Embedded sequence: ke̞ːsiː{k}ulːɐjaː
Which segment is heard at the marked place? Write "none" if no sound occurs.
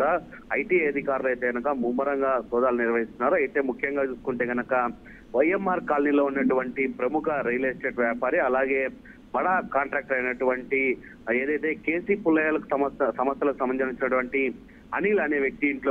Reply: p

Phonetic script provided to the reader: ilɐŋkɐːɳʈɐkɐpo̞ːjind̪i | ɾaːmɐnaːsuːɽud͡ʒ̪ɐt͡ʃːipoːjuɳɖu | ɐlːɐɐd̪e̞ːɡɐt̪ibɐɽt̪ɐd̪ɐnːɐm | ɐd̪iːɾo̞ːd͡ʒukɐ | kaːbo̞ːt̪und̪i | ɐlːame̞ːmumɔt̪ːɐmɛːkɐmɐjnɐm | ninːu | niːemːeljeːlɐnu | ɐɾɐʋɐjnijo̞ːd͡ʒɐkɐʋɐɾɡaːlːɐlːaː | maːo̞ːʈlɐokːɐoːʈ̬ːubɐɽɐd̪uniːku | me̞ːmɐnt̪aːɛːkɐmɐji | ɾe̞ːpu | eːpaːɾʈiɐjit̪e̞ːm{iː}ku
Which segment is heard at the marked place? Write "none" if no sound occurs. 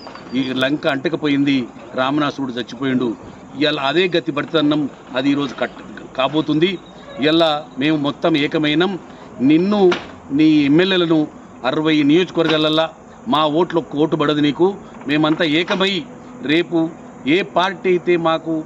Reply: aː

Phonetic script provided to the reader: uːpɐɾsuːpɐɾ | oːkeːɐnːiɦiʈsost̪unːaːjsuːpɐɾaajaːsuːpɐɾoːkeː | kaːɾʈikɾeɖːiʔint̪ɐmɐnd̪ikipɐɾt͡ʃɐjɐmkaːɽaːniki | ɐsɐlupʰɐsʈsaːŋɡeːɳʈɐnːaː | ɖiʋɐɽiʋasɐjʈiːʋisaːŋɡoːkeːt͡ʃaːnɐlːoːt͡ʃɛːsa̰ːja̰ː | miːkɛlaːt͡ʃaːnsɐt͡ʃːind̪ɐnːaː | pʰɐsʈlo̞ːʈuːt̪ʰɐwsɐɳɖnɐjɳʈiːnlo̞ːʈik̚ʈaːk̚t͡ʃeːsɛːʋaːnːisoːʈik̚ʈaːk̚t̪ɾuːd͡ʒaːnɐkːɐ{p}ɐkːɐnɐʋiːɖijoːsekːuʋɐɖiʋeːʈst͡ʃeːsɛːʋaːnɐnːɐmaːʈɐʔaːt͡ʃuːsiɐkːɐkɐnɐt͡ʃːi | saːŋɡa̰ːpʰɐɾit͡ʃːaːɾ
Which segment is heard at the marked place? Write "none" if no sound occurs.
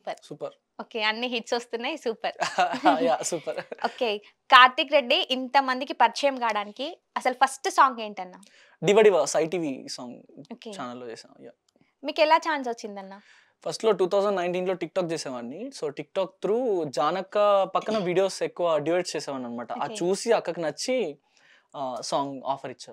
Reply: p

